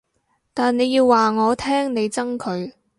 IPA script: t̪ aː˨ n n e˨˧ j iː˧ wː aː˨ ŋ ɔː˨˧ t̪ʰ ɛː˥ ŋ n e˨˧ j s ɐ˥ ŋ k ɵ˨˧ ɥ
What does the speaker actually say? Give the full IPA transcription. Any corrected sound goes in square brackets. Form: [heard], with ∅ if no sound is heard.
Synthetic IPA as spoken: t̪ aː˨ n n e˨˧ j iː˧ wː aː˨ ŋ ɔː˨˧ t̪ʰ ɛː˥ ŋ n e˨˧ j [t͡s] ɐ˥ ŋ [kʰ] ɵ˨˧ ɥ